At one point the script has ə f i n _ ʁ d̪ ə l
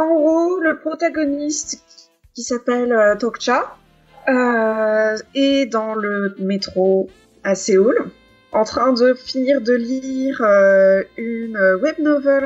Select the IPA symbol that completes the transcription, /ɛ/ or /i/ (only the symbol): i